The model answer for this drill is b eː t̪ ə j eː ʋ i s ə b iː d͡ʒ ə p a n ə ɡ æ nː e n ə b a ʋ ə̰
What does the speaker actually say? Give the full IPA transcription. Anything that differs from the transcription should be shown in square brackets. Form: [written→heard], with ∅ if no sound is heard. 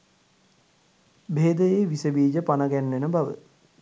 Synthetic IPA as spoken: b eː [t̪→d̪] ə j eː ʋ i s ə b iː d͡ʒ ə p a n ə ɡ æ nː e n ə b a ʋ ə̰